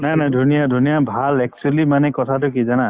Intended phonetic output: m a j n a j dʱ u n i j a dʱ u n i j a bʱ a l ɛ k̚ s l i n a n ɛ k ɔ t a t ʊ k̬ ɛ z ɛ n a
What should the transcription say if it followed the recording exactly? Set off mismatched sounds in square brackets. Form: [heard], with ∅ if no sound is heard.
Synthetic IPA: [n] a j n a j dʱ u n i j a dʱ u n i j a bʱ a l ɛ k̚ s l i [m] a n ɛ k ɔ [tʰ] a t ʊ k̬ [i] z [a] n a